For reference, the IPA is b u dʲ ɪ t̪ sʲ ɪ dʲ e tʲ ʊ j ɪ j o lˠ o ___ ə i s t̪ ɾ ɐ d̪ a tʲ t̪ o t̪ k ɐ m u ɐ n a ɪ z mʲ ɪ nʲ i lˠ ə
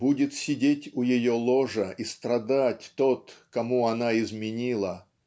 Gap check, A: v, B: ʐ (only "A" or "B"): B